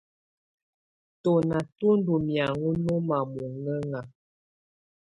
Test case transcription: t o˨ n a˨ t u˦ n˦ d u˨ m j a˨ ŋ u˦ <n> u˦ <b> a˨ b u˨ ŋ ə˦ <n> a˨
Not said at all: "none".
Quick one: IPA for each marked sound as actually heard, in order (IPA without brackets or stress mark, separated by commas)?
n, m, ŋ